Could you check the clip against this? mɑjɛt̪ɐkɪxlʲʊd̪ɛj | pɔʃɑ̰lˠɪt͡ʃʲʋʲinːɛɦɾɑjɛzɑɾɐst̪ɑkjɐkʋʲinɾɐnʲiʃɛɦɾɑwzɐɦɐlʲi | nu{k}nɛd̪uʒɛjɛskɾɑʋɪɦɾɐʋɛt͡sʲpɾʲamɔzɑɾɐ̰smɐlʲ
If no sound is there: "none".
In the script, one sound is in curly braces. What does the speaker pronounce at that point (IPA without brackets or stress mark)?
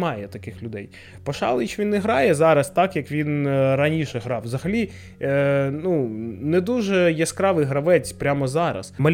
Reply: none